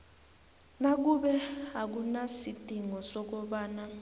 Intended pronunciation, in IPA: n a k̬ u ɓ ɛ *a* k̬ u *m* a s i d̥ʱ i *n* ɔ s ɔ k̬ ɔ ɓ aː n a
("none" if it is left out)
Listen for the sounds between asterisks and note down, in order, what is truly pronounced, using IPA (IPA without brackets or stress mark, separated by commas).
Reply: a, n, ŋ